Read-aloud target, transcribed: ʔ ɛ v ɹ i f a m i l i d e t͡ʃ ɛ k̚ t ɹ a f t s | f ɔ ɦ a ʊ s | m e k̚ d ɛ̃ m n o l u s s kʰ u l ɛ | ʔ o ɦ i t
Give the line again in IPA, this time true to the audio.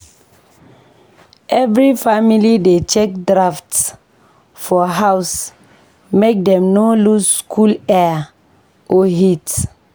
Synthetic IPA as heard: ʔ ɛ v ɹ i f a m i l i d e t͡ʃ ɛ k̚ d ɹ a f t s | f ɔ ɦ a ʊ s | m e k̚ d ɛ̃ m n o l u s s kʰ u l ɛ | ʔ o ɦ i t

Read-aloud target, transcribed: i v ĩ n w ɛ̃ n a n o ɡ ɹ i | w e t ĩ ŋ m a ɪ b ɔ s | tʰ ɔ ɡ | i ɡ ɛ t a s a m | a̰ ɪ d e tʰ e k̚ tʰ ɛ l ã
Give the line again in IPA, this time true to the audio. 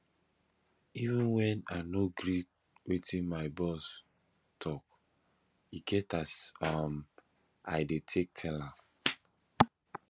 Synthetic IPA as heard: i v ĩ n w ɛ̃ n a n o ɡ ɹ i | w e t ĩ n m a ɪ b ɔ s | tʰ ɔ k | i ɡ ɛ t a s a m | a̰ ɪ d e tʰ e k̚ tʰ ɛ l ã

